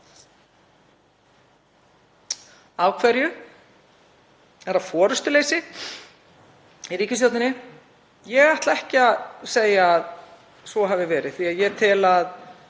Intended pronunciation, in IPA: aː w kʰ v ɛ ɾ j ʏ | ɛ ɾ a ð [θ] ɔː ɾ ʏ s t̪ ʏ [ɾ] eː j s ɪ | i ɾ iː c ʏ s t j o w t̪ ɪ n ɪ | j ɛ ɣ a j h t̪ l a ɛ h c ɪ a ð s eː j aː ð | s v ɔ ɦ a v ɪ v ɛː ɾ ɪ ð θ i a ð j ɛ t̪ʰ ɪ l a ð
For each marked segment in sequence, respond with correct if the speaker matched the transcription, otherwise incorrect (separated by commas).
incorrect, incorrect